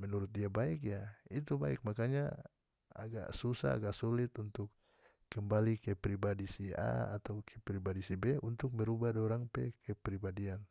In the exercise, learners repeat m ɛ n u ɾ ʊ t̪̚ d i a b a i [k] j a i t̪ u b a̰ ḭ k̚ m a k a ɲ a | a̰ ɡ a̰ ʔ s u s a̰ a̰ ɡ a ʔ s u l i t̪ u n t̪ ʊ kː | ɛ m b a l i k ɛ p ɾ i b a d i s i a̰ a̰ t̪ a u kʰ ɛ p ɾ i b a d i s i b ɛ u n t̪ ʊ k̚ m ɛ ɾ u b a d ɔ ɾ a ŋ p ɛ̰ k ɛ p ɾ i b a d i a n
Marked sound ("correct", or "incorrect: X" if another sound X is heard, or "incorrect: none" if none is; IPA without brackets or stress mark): correct